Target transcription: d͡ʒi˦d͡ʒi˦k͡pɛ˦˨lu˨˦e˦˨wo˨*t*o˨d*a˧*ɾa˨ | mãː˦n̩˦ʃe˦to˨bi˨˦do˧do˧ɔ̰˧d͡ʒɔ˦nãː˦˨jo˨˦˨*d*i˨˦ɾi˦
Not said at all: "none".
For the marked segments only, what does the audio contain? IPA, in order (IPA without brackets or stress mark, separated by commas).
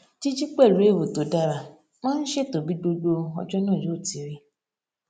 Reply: t, a˧, t